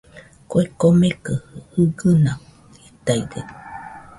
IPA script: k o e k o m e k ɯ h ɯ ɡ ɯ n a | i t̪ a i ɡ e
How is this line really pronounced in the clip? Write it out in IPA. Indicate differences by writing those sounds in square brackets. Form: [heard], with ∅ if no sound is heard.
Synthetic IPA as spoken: k o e k o m e k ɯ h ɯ ɡ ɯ n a | i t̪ a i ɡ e